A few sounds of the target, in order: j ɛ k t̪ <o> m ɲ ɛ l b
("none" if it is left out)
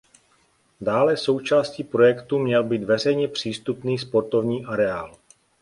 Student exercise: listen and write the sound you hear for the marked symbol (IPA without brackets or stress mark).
u